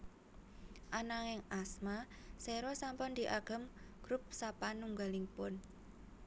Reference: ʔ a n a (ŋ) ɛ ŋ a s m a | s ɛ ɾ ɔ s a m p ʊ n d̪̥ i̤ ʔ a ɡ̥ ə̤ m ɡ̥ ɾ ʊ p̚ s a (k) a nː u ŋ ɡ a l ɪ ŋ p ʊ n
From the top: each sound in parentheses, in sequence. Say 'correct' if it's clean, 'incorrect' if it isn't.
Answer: correct, incorrect

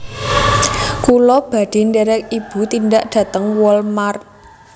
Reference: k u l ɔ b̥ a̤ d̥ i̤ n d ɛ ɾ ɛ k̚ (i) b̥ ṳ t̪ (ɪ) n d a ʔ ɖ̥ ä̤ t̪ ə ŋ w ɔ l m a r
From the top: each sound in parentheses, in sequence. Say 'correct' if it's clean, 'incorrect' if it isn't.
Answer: correct, incorrect

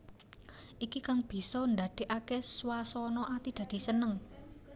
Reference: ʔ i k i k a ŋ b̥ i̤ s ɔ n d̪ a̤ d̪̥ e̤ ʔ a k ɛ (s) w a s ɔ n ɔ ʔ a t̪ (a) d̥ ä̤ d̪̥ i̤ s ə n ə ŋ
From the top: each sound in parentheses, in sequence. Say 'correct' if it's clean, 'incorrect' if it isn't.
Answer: correct, incorrect

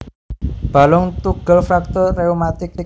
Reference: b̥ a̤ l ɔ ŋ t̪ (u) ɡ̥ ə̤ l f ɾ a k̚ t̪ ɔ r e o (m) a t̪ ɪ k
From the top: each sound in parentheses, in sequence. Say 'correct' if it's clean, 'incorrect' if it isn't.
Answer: correct, correct

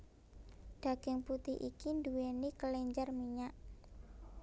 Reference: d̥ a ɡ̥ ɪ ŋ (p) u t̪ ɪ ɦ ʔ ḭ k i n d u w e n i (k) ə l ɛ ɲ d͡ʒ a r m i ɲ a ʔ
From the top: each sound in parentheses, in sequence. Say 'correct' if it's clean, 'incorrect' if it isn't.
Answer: correct, correct

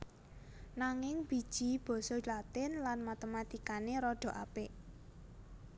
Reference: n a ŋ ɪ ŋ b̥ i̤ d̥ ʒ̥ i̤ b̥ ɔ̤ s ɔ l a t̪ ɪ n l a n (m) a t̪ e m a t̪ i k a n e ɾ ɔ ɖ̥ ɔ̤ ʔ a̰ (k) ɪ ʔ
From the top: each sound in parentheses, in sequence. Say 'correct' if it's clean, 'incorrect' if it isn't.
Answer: correct, incorrect

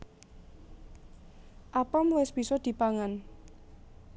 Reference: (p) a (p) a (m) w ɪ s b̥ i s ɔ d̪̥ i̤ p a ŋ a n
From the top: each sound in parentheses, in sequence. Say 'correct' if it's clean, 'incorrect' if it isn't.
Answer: incorrect, correct, correct

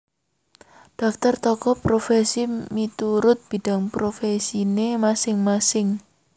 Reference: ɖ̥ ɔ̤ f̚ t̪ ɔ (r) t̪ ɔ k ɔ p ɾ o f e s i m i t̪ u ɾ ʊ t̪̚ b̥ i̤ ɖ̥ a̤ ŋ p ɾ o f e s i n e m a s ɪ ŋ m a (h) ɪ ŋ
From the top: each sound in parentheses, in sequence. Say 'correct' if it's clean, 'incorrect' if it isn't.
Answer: correct, incorrect

